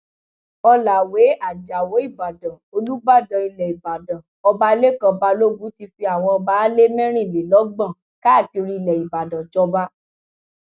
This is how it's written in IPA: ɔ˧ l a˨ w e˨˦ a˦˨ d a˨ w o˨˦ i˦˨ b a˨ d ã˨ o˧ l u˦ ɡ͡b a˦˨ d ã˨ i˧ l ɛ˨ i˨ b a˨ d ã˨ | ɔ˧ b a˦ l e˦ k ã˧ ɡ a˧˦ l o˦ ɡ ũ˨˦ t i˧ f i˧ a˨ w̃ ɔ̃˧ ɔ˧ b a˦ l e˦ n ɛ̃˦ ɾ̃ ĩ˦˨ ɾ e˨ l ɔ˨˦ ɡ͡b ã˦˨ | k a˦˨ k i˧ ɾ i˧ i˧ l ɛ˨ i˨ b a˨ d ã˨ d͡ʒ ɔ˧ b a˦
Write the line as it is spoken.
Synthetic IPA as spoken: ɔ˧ l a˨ w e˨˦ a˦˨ d͡ʒ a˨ w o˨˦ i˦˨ b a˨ d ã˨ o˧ l u˦ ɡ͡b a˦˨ d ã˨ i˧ l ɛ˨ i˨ b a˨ d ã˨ | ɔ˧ b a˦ l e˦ k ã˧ b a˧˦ l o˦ ɡ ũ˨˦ t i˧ f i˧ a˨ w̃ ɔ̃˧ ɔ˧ b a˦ l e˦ m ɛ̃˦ ɾ̃ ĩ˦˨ l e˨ l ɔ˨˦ ɡ͡b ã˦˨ | k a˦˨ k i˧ ɾ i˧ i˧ l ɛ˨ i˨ b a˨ d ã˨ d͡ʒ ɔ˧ b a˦